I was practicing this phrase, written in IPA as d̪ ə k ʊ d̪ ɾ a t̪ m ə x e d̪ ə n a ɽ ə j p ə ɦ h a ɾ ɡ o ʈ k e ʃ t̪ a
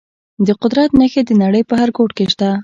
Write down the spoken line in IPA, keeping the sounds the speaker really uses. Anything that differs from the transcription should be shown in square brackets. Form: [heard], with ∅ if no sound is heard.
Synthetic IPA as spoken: d̪ ə [q] ʊ d̪ ɾ a t̪ [n] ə x e d̪ ə n a ɽ ə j p ə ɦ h a ɾ ɡ o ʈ k e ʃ t̪ a

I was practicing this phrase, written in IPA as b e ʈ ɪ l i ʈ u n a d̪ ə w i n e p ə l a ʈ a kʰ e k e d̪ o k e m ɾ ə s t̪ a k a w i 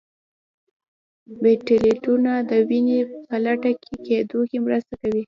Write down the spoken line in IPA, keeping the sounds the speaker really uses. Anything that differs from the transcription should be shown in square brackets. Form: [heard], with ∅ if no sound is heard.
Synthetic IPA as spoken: b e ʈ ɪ l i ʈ u n a d̪ ə w i n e p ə l a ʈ a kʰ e k e d̪ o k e m ɾ ə s t̪ a k a w i

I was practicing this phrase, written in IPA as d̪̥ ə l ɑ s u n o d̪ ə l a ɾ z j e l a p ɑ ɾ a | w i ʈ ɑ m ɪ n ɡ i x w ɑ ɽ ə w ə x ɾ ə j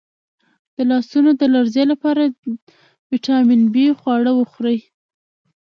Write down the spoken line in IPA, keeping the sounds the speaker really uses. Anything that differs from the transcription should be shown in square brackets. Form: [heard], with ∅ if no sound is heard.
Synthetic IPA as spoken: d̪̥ ə l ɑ s u n o d̪ ə l a ɾ z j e l a p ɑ ɾ a | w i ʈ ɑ m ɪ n [b] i x w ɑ ɽ ə w ə x ɾ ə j

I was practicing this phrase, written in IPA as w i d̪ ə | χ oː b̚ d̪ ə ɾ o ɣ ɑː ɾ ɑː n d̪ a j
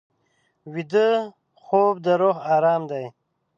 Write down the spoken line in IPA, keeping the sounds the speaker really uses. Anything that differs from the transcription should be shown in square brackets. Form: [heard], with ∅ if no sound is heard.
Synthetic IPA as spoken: w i d̪ ə | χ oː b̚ d̪ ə ɾ o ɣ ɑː ɾ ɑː [m] d̪ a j

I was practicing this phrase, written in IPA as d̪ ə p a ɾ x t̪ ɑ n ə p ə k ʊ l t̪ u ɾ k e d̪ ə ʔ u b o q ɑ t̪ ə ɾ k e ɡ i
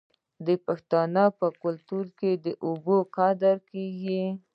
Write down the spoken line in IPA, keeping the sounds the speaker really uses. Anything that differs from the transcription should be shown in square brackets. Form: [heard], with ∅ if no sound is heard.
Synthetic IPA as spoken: d̪ ə p a [∅] x t̪ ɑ n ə p ə k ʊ l t̪ u ɾ k e d̪ ə ʔ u b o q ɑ [d̪] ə ɾ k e ɡ i

